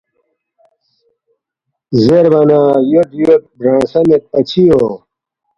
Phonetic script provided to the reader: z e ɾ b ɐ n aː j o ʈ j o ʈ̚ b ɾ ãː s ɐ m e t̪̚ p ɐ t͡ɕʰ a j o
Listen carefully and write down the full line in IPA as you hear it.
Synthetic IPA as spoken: z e ɾ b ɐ n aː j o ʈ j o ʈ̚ b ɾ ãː s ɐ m e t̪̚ p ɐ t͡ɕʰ i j o